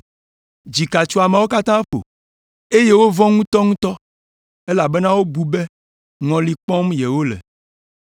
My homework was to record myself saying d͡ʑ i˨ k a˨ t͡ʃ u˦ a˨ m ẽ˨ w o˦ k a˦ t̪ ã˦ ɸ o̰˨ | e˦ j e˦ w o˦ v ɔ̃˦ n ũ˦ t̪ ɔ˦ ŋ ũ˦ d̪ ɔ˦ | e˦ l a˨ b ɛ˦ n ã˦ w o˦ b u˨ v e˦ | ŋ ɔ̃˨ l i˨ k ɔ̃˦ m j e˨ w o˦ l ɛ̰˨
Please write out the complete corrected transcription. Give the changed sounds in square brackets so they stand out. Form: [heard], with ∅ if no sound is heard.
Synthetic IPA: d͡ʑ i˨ k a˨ t͡ʃ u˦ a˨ m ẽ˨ w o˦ k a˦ t̪ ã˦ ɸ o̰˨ | e˦ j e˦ w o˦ v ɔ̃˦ [ŋ] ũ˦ t̪ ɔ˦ ŋ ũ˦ [t̪] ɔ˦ | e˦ l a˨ b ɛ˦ n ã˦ w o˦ b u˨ [b] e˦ | ŋ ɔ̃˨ l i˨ [k͡p] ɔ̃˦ m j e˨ w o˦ l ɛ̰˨